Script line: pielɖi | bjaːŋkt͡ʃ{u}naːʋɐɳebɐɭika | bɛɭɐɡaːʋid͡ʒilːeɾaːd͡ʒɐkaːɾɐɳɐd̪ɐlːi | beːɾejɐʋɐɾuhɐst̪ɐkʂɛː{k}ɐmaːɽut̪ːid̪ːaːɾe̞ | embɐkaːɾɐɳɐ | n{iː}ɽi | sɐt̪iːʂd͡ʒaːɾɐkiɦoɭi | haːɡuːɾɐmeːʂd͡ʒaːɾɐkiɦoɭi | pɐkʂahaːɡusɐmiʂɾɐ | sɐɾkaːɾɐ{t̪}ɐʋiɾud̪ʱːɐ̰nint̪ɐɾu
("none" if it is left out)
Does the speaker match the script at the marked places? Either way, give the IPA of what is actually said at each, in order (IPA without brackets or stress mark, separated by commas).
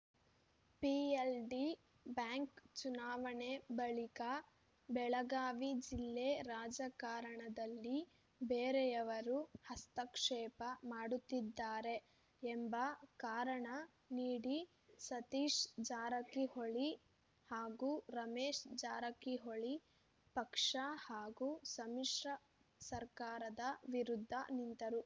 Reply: u, p, iː, d̪